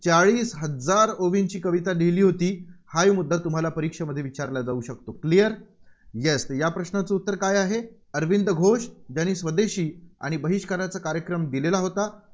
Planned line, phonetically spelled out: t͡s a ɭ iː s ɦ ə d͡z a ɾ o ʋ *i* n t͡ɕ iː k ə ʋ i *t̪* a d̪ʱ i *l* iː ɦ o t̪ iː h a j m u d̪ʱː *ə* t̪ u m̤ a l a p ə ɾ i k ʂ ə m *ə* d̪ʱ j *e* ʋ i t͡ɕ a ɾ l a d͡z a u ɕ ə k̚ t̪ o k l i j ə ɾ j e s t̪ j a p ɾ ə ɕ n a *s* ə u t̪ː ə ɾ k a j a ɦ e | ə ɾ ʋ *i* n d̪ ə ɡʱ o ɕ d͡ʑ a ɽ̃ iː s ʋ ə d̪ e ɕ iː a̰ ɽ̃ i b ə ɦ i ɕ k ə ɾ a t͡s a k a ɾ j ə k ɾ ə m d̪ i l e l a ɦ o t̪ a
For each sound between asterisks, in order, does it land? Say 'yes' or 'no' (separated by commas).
yes, yes, yes, no, yes, yes, no, yes